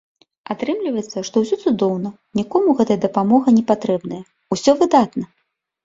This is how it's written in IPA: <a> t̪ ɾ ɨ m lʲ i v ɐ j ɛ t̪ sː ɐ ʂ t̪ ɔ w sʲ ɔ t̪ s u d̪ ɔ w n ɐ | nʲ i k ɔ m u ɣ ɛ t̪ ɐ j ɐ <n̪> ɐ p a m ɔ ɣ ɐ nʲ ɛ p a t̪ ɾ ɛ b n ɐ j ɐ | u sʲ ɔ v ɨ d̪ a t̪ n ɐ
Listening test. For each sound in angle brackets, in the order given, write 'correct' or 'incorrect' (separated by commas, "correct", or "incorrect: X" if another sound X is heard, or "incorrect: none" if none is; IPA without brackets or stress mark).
correct, incorrect: d̪